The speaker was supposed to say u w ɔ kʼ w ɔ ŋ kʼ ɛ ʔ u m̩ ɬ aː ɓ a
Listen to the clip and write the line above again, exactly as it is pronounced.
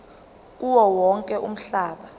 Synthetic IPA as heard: u w ɔ w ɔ ŋ kʼ ɛ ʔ u m̩ ɬ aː ɓ a